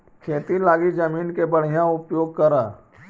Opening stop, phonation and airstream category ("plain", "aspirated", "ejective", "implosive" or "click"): aspirated